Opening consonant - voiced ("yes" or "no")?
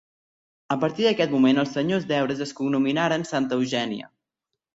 no